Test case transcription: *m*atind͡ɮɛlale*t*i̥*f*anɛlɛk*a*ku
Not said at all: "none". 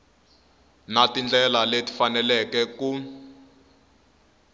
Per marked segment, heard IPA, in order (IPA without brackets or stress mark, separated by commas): n, t, f, ɛ